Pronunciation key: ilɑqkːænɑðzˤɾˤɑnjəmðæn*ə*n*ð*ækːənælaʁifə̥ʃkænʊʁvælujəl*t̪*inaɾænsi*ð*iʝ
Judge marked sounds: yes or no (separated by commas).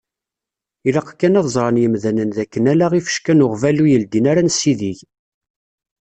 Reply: yes, yes, no, yes